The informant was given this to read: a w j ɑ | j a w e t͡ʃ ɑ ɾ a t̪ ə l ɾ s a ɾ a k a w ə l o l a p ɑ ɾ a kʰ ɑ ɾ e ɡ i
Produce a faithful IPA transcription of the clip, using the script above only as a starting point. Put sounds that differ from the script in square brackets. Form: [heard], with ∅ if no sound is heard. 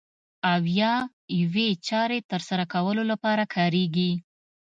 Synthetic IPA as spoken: a w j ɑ | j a w e t͡ʃ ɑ ɾ [e] t̪ ə [∅] ɾ s a ɾ a k a w ə l o l a p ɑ ɾ a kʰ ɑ ɾ e ɡ i

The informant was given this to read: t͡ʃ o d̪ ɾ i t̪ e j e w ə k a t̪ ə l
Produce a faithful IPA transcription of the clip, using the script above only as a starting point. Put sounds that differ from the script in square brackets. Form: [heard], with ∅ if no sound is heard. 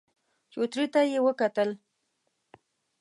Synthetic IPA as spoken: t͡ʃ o [t̪] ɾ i t̪ [a] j e w ə k a t̪ ə l

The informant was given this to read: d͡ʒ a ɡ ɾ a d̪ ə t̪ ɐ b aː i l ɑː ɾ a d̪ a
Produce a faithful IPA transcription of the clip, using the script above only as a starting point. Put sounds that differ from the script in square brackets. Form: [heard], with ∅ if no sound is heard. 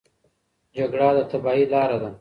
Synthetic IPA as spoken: d͡ʒ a ɡ [ɽ] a d̪ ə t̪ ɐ b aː i l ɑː ɾ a d̪ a

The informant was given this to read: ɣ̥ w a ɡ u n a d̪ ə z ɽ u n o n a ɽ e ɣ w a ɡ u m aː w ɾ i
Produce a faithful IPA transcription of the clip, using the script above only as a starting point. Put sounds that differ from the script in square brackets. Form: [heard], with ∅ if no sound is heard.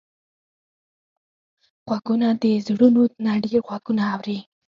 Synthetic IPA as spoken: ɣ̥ w a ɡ u n a d̪ ə z ɽ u n o n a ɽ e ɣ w a ɡ u [n] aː w ɾ i

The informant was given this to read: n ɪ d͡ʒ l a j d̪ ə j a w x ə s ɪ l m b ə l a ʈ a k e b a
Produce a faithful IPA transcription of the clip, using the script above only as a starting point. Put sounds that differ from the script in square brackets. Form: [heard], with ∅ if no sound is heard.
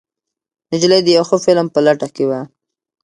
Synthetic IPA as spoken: n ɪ d͡ʒ l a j d̪ ə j a w x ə [f] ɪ l m [p] ə l a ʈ a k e [w] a

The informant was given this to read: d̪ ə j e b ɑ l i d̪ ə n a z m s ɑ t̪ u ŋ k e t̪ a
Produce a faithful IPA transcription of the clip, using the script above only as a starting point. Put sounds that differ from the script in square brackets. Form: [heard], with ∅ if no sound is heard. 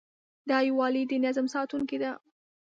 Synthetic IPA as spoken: d̪ [ɑ] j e [w] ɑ l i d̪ ə n a z m s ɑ t̪ u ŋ k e [d̪] a

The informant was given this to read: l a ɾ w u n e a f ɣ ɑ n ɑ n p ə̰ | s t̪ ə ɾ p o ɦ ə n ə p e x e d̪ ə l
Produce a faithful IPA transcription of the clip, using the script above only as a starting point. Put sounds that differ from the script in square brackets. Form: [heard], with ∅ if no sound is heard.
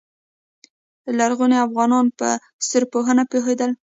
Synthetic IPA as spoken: l a ɾ [ɣ] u n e a f ɣ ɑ n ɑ n p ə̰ | s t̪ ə ɾ p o ɦ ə n [a] p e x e d̪ ə l

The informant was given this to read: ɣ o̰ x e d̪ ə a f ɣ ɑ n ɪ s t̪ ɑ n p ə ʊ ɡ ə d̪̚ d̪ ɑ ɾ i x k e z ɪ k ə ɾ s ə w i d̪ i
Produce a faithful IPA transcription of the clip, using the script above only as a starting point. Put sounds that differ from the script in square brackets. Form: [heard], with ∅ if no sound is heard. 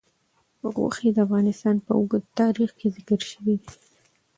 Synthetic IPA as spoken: ɣ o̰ x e d̪ ə a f ɣ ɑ n ɪ s t̪ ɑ n p ə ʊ ɡ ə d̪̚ [t̪] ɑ ɾ i x k e z ɪ k ə ɾ [ʃ] ə w i d̪ i

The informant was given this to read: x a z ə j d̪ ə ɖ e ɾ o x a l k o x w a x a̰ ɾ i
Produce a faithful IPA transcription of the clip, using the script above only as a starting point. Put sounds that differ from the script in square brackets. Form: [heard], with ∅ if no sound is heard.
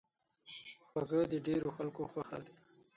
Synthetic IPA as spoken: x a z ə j d̪ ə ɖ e ɾ o x a l k o x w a x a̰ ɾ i

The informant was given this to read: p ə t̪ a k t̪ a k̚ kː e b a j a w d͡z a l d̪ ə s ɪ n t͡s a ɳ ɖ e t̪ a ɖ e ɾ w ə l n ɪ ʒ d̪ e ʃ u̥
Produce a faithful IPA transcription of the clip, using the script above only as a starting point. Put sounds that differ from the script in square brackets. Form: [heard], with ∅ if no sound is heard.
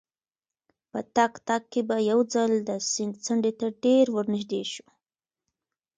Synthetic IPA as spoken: p ə t̪ a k t̪ a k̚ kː e b a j a w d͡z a l d̪ ə s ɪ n t͡s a ɳ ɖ e t̪ a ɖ e ɾ w ə [ɾ] n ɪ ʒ d̪ e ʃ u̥

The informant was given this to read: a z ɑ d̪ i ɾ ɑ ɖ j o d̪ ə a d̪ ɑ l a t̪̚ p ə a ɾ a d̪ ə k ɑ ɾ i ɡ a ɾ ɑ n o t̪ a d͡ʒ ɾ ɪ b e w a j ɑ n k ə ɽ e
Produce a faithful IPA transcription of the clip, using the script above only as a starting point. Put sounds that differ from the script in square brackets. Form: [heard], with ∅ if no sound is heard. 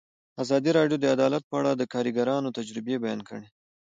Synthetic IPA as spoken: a z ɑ d̪ i ɾ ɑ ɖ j o d̪ ə a d̪ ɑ l a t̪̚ p ə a [ɽ] a d̪ ə k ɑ ɾ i ɡ a ɾ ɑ n o t̪ a d͡ʒ ɾ ɪ b e [b] a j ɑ n k ə ɽ e

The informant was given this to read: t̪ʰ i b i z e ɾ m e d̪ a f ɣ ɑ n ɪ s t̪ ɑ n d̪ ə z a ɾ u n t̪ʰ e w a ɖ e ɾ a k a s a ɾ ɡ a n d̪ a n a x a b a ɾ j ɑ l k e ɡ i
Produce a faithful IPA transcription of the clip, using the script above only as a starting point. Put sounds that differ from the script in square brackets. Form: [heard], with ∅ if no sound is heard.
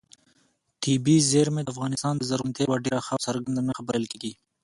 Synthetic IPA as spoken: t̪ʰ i b i z e ɾ m e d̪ a f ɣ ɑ n ɪ s t̪ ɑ n d̪ ə z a ɾ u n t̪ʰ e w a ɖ e ɾ a [x] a s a ɾ ɡ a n d̪ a n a x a b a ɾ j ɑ l k e ɡ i

